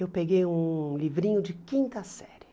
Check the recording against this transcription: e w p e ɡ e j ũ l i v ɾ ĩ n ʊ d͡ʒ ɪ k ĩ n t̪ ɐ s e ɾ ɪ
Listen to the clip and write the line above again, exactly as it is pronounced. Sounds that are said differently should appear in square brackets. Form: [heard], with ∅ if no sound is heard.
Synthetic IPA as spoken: e w p e ɡ e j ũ l i v ɾ ĩ [ɲ] ʊ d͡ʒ ɪ k ĩ n t̪ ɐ s [ɛ] ɾ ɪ